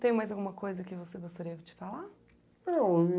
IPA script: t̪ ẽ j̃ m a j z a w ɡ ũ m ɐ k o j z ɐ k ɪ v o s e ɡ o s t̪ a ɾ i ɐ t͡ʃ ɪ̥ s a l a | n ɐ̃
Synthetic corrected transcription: t̪ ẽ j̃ m a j z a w ɡ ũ m ɐ k o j z ɐ k ɪ v o s e ɡ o s t̪ a ɾ i ɐ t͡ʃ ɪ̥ f a l a | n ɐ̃